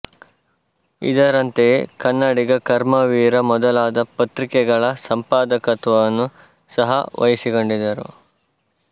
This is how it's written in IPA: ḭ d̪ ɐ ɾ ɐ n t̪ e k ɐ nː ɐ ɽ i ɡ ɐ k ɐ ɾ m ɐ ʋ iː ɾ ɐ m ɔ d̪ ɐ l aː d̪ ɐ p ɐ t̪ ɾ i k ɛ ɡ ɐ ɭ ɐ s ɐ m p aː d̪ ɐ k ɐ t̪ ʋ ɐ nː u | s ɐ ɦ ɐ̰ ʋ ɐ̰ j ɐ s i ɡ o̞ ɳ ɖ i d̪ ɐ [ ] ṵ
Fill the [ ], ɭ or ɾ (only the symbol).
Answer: ɾ